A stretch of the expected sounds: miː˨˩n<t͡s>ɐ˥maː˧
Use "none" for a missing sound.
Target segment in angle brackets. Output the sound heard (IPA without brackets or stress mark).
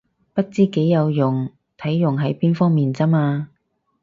t͡s